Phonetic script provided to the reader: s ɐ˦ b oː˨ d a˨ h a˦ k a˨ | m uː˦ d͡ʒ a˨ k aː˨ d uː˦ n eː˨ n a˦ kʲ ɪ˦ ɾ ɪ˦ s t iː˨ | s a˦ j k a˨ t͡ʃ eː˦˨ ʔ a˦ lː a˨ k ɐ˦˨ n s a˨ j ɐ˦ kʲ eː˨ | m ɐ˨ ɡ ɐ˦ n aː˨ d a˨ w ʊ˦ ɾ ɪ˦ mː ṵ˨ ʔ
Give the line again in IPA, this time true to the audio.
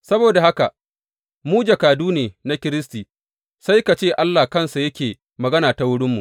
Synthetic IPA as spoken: s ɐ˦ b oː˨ d a˨ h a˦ k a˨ | m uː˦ d͡ʒ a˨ k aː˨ d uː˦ n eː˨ n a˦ kʲ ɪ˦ ɾ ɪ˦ s t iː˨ | s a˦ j k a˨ t͡ʃ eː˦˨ ʔ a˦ lː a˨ k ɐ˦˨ n s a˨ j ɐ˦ kʲ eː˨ | m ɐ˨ ɡ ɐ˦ n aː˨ t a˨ w ʊ˦ ɽ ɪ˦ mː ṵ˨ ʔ